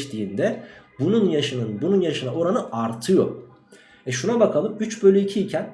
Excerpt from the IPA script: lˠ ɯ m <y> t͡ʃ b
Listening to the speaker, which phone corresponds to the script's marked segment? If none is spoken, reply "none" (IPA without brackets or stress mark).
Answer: y